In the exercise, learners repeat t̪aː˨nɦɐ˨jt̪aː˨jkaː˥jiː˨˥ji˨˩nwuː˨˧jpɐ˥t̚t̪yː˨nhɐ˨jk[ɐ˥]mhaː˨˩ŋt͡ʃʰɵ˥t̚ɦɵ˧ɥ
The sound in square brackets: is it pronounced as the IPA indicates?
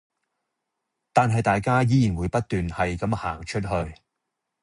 no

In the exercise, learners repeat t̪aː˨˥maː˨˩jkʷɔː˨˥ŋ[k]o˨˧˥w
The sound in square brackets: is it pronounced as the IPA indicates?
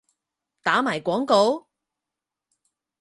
yes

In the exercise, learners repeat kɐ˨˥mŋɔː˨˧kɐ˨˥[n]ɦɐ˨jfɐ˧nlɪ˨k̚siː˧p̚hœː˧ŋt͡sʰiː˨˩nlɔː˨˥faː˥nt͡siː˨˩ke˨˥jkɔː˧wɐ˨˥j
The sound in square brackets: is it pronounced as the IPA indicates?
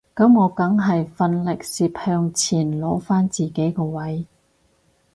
no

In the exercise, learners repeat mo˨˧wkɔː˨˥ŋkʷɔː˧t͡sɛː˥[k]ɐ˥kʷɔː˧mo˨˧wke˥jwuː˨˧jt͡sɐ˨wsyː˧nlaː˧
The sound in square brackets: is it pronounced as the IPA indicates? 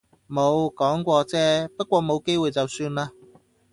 no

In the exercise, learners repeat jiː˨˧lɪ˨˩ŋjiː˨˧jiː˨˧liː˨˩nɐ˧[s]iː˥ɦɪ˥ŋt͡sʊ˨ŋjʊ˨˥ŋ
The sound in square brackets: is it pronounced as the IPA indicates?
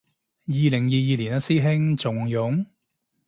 yes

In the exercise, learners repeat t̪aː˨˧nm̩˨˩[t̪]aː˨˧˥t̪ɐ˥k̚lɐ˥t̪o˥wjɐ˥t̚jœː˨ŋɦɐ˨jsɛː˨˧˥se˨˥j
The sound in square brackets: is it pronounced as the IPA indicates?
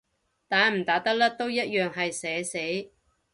yes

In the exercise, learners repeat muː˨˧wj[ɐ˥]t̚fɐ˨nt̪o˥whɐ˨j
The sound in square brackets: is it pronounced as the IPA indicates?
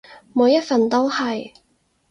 yes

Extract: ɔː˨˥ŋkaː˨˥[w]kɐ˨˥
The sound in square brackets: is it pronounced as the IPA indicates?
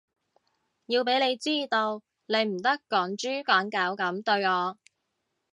yes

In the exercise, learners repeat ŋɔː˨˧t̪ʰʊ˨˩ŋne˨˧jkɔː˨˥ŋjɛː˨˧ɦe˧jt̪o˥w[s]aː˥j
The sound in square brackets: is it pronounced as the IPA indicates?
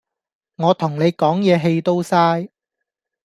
yes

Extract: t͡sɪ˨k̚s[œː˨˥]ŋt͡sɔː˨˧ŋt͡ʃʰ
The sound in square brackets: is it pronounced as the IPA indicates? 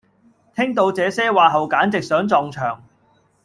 yes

